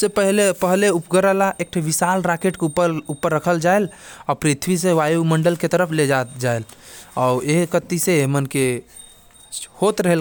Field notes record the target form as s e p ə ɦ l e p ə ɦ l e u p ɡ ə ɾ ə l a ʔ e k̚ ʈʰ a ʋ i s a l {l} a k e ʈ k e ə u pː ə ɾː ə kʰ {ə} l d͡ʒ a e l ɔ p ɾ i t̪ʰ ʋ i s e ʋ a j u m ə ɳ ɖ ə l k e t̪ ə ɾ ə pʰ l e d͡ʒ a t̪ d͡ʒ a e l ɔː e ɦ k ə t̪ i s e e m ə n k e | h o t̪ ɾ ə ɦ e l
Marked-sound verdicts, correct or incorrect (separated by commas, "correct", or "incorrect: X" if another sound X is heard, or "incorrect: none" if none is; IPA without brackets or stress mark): incorrect: ɾ, correct